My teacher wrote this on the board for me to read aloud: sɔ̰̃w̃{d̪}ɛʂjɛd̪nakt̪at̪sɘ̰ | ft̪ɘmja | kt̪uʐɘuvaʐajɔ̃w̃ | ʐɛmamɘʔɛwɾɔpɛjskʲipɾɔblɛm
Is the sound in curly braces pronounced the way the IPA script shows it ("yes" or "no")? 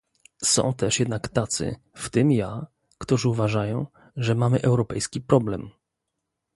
no